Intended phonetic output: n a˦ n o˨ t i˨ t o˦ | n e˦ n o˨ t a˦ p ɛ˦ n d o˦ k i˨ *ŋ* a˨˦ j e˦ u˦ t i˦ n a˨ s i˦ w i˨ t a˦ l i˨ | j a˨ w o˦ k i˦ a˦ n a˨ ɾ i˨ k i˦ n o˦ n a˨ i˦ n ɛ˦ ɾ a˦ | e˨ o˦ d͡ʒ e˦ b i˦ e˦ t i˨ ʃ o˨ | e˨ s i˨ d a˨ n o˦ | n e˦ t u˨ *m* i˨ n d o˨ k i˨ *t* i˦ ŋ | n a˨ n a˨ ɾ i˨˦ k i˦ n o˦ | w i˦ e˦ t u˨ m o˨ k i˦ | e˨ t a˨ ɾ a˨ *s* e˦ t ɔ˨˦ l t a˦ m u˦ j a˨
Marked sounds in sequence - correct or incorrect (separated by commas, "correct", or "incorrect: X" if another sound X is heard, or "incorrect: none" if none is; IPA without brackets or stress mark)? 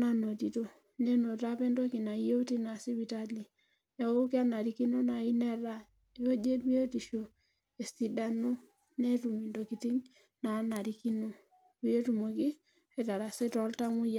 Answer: incorrect: n, correct, correct, correct